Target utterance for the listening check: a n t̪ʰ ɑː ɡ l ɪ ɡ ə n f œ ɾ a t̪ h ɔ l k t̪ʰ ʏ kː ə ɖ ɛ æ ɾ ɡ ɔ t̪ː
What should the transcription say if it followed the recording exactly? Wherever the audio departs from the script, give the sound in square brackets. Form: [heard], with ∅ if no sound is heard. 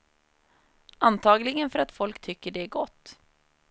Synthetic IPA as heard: a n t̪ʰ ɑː ɡ l ɪ ɡ ə n f œ ɾ a t̪ [f] ɔ l k t̪ʰ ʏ kː ə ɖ ɛ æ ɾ ɡ ɔ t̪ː